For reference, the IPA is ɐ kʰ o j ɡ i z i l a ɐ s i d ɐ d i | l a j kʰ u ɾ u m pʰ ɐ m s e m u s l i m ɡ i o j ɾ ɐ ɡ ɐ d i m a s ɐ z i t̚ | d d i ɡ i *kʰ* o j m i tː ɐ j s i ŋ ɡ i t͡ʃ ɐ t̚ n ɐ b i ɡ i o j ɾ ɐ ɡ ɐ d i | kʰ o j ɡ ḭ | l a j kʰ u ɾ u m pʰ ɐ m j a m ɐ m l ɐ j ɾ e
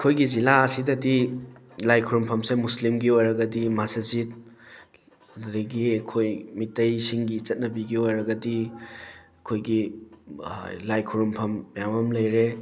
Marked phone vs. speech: correct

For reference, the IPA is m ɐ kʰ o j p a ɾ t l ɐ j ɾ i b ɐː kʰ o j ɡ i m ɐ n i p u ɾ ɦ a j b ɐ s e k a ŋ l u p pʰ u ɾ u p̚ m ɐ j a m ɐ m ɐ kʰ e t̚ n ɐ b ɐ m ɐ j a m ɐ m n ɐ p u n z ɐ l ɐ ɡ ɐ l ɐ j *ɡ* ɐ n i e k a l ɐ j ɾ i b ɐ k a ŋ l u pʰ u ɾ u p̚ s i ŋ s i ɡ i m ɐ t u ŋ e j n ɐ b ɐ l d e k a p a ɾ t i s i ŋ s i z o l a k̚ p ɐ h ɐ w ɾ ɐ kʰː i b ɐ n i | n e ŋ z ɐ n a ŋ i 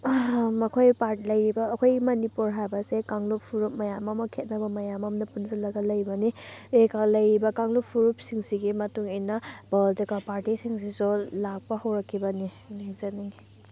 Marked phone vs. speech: incorrect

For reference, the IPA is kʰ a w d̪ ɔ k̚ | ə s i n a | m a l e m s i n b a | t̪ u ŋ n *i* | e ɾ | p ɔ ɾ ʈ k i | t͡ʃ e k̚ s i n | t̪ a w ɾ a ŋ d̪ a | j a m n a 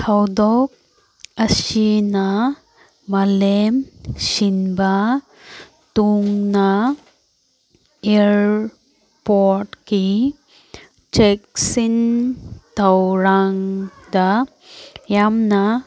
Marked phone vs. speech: incorrect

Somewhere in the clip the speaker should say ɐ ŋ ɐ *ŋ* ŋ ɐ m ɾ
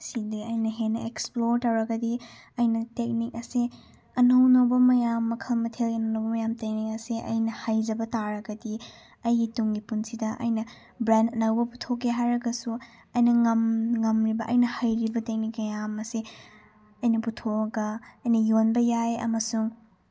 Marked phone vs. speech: incorrect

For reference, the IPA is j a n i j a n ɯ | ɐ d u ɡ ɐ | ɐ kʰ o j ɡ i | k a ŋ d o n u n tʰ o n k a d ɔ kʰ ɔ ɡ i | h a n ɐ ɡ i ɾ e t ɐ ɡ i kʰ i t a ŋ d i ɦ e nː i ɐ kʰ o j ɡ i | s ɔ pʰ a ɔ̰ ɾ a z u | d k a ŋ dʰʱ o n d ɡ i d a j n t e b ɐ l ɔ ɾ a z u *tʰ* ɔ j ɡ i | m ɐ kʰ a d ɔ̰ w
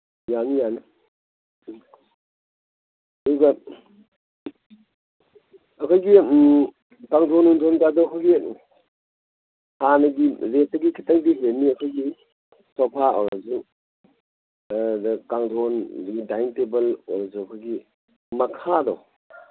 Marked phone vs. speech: incorrect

